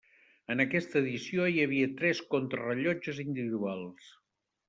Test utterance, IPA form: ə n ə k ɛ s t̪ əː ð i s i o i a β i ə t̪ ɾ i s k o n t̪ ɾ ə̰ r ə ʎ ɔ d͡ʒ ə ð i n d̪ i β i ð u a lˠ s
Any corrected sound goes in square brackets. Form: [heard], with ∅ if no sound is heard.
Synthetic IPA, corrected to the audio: ə n ə k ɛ s t̪ əː ð i s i o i [ə] β i ə t̪ ɾ [ɛ] s k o n t̪ ɾ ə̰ r ə ʎ ɔ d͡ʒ ə [z] i n d̪ i β i ð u a lˠ s